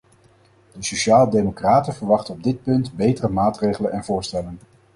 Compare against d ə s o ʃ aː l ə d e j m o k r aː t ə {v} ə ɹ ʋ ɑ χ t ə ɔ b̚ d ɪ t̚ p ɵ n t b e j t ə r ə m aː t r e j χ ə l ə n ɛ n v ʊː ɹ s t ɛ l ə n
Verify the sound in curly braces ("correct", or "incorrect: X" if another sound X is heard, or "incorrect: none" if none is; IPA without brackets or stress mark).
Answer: correct